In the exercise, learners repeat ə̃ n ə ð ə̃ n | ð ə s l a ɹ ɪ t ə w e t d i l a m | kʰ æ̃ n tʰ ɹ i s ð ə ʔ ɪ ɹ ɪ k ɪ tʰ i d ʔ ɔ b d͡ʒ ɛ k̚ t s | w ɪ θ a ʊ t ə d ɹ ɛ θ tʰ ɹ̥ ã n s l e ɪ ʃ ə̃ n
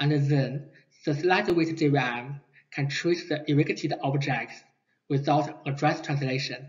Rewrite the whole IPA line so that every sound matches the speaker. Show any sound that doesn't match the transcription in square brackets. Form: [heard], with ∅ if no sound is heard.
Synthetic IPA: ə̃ n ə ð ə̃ n | ð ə s l a [∅] ɪ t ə w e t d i [ɹ] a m | kʰ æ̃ n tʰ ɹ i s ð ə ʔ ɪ ɹ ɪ k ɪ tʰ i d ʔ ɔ b d͡ʒ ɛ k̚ t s | w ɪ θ a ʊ t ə d ɹ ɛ [s] tʰ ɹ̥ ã n s l e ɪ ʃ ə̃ n